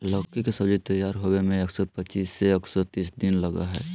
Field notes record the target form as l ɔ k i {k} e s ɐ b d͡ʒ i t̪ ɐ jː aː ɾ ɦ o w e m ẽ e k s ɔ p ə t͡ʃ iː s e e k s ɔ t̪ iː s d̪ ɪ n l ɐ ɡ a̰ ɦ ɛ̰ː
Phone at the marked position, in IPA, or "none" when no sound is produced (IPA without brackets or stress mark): k